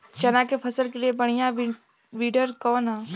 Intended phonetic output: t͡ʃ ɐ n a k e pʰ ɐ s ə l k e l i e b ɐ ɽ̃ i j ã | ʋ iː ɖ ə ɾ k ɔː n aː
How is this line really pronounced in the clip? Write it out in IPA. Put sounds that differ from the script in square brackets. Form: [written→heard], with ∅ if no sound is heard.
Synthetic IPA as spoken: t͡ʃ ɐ n a k e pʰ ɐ s ə l k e l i e b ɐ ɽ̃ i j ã | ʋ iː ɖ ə ɾ k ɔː n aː

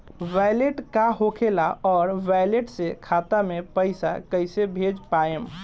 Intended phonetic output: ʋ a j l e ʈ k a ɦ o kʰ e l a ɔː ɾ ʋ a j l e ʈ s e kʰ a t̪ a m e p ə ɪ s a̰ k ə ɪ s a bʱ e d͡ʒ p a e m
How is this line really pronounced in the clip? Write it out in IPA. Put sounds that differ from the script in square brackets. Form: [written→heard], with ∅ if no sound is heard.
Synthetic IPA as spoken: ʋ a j l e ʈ k a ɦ o kʰ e l a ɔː ɾ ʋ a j l e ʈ s e kʰ a t̪ a m e p ə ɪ s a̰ k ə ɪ s [a→e] bʱ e d͡ʒ p a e m

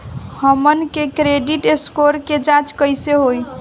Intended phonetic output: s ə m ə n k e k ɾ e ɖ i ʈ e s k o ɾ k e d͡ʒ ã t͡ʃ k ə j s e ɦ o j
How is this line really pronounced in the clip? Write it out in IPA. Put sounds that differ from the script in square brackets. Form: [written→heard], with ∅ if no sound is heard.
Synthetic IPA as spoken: [s→h] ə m ə n k e k ɾ e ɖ i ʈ e s k o ɾ k e d͡ʒ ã t͡ʃ k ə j s e ɦ o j

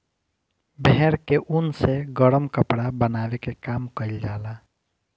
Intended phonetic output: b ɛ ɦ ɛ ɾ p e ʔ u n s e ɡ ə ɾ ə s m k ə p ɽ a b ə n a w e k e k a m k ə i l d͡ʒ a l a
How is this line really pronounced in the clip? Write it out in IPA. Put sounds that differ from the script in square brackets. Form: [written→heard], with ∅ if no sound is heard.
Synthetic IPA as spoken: b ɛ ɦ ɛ ɾ [p→k] e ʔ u n s e ɡ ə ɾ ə [s→∅] m k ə p ɽ a b ə n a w e k e k a m k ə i l d͡ʒ a l a

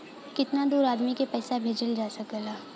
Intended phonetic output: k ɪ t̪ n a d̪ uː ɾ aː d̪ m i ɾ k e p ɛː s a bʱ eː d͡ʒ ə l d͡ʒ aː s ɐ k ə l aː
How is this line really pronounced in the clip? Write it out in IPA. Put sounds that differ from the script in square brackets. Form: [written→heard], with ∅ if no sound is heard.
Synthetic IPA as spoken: k ɪ t̪ n a d̪ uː ɾ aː d̪ m i [ɾ→∅] k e p ɛː s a bʱ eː d͡ʒ ə l d͡ʒ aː s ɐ k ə l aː

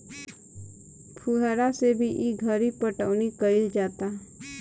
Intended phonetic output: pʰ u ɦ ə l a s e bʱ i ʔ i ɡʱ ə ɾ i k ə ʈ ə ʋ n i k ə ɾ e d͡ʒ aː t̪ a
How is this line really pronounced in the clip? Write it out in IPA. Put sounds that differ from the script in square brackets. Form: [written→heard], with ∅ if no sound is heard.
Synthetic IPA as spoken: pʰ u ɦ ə [l→ɾ] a s e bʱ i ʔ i ɡʱ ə ɾ i [k→p] ə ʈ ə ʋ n i k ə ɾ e d͡ʒ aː t̪ a

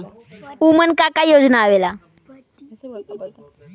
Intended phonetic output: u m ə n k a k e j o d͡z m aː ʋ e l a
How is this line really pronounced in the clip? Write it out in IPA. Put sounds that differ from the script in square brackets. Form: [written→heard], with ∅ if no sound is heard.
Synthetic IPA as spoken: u m ə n k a k [e→a] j o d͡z [m→n] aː ʋ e l a

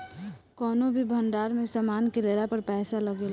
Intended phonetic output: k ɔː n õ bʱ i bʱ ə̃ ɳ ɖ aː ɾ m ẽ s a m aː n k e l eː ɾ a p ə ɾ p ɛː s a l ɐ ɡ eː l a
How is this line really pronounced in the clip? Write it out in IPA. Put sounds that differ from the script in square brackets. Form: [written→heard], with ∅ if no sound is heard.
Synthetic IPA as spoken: k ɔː n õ bʱ i bʱ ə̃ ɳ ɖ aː ɾ m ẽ s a m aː n k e l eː ɾ a p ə ɾ p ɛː s a l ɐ ɡ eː l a

